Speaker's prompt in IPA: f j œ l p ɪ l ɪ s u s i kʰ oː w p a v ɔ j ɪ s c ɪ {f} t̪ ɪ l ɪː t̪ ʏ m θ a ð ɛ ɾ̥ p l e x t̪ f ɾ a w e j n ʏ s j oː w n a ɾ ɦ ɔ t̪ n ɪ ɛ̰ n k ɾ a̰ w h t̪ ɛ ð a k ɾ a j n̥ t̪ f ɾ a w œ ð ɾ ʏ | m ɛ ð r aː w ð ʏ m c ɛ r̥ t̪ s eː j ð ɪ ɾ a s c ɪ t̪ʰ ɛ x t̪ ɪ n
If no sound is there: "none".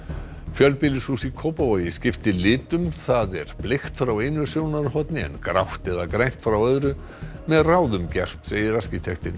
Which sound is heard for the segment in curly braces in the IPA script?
f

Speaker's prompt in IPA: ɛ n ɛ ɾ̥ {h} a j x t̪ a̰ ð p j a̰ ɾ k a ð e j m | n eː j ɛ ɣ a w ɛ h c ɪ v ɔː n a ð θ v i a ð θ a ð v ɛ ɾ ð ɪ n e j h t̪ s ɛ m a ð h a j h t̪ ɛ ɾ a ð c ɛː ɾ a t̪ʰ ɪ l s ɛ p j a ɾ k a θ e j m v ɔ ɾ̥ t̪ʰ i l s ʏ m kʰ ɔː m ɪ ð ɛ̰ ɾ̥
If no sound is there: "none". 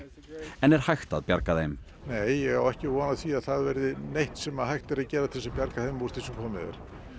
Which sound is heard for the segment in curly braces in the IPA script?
h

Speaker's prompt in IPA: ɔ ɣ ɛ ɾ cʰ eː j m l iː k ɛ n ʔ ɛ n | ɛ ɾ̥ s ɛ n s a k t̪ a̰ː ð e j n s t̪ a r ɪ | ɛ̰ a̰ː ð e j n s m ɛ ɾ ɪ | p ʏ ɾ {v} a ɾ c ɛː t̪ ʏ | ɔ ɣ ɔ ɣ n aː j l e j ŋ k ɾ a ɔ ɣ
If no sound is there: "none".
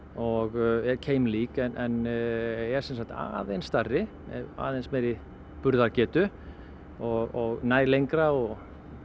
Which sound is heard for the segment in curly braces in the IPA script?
ð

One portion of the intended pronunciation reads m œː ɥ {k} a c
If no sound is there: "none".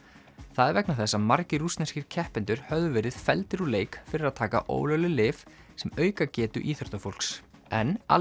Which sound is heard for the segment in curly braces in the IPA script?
k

